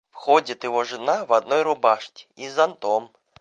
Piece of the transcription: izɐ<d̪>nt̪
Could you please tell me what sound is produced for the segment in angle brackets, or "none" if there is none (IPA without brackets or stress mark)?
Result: none